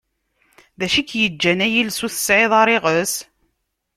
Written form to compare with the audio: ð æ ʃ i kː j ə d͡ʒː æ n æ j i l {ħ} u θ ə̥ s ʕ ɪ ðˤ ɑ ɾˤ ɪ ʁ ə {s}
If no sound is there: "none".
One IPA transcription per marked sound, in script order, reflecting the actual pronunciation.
s, s

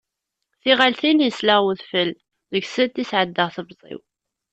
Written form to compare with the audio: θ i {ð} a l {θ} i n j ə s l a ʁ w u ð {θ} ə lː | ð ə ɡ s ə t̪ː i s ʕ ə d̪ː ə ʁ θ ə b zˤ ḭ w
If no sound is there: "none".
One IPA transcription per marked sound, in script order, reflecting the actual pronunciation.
ʁ, θ, f

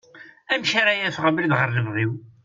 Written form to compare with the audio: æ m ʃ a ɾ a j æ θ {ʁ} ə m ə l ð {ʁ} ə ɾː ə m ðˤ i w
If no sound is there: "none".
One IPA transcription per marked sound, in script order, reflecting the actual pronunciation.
ʁ, ʁ

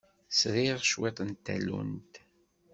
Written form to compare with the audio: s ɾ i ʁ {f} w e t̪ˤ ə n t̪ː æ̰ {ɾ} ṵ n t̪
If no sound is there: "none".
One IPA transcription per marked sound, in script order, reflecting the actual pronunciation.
ʃ, l

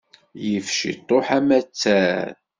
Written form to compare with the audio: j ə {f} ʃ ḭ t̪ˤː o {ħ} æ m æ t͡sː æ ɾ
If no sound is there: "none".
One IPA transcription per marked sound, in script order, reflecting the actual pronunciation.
f, ħ

